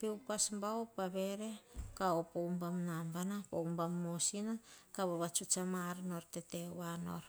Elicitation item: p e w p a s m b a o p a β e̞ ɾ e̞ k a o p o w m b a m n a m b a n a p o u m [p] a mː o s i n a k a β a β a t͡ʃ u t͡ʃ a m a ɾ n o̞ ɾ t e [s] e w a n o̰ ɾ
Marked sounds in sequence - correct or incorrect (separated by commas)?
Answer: incorrect, incorrect